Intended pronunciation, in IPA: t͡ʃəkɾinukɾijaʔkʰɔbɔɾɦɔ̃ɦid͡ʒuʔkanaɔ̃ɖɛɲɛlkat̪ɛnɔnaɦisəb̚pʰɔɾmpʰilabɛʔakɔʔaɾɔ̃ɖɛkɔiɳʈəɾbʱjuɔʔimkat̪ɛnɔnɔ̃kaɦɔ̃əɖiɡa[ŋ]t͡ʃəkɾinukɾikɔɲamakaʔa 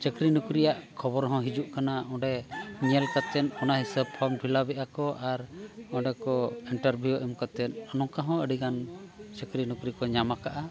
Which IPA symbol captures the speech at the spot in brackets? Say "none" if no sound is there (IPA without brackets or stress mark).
n